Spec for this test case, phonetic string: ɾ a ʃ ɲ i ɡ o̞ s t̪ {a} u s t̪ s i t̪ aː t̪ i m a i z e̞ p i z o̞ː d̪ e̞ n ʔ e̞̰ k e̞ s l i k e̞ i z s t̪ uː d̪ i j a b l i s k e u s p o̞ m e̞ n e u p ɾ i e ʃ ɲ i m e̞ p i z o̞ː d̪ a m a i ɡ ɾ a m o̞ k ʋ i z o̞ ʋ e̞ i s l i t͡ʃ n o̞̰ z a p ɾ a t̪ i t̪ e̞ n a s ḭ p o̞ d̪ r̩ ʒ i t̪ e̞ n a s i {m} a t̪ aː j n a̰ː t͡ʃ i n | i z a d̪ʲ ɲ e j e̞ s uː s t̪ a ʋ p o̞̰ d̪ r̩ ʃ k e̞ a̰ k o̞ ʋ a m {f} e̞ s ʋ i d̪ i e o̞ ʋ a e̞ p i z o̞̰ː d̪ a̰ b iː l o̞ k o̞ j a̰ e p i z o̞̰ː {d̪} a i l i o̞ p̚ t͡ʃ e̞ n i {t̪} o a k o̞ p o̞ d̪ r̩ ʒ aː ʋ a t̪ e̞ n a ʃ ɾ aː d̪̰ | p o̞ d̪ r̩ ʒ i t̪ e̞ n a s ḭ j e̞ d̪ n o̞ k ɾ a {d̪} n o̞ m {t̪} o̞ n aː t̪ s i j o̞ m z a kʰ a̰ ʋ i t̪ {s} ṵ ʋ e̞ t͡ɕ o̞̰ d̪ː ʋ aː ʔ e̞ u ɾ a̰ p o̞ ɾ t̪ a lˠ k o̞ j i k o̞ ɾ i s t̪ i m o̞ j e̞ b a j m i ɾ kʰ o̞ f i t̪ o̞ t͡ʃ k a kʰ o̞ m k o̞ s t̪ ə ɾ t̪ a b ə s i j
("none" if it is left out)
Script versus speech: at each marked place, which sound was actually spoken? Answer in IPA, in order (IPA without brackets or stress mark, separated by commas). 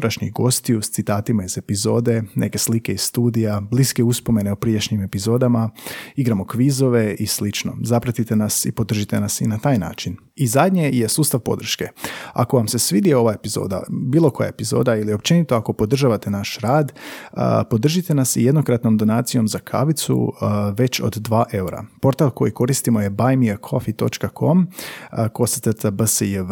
i, n, s, d̪, t̪, t̪, d̪, s